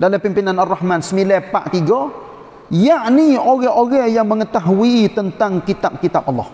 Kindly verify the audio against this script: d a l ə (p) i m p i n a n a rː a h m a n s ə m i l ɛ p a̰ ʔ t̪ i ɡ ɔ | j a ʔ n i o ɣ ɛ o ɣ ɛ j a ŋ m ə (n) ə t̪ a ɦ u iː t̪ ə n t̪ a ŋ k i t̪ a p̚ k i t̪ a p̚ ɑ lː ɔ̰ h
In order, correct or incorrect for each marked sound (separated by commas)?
correct, incorrect